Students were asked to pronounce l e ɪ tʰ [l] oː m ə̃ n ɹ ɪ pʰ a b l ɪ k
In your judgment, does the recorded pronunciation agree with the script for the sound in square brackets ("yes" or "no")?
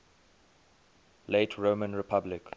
no